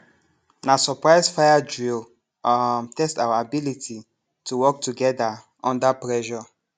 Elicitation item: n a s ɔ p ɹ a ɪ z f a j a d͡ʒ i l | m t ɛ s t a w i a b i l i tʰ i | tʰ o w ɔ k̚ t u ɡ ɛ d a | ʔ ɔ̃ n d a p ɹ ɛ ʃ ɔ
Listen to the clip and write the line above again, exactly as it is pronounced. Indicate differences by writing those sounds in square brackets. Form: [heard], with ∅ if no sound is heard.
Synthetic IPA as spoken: n a s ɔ p ɹ a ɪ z f a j a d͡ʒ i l | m t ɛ s t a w [a] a b i l i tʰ i | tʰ [u] w ɔ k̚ t u ɡ ɛ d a | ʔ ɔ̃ n d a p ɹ ɛ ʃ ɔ